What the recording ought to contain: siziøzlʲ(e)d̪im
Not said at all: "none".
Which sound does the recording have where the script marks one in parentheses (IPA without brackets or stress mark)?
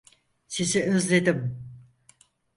e